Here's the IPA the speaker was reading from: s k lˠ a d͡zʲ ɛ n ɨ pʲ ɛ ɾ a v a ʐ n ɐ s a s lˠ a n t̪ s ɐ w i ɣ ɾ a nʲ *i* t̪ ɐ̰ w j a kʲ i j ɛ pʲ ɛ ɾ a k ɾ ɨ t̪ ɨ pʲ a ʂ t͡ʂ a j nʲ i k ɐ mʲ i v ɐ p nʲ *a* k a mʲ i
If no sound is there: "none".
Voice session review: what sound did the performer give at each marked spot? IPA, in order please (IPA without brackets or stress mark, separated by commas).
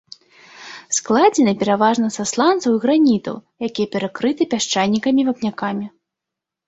i, a